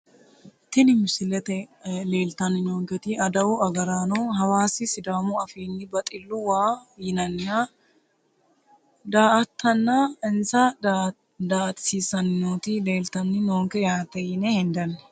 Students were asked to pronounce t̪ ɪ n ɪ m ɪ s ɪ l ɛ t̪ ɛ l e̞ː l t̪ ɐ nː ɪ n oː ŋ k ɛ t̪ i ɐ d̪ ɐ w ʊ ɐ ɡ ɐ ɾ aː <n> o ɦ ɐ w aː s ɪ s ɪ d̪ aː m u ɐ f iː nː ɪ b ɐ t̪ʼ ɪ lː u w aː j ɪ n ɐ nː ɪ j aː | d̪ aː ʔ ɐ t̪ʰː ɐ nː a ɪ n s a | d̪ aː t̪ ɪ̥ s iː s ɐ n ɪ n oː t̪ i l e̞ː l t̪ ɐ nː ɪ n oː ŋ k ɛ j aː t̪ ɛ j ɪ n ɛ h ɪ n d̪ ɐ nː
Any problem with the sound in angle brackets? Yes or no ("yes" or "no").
no